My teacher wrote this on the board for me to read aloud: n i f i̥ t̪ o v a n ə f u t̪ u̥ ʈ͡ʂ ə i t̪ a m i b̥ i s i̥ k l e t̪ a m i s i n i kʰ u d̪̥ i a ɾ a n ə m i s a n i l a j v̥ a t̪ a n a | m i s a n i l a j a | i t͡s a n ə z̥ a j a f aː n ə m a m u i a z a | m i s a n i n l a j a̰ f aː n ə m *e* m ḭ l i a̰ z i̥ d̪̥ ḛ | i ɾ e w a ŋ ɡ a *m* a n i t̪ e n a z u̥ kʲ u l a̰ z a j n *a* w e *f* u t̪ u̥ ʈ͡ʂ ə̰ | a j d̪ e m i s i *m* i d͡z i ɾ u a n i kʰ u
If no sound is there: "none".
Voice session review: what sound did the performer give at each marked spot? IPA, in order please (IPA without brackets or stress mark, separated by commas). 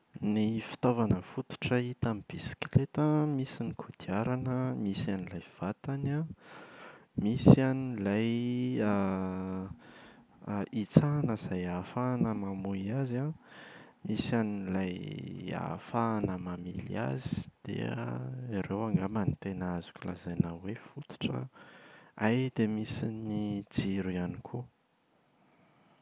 a, m, a, f, n